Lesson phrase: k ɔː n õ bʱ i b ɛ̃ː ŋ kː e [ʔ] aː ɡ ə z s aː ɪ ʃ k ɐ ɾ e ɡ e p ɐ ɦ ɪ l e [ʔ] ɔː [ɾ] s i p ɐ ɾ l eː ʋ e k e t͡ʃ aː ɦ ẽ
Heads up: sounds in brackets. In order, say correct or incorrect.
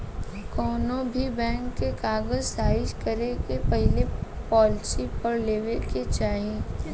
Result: incorrect: k, incorrect: p, incorrect: l

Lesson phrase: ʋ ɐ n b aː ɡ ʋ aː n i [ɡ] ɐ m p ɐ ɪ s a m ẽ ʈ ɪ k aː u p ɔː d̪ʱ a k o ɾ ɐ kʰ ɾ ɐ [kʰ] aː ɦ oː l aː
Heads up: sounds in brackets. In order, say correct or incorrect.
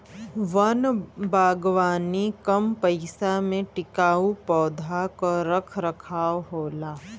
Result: incorrect: k, correct

